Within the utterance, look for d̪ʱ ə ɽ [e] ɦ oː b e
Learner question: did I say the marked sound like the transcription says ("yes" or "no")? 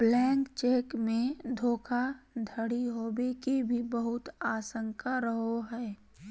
no